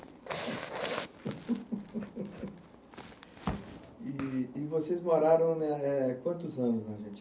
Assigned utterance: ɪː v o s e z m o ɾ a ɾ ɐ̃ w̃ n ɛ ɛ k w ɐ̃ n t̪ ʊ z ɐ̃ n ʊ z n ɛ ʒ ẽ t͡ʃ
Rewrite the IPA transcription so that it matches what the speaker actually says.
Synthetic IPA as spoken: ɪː v o s e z m o ɾ a ɾ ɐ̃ w̃ n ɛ ɛ k w ɐ̃ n t̪ ʊ z ɐ̃ n ʊ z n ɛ ʒ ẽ t͡ʃ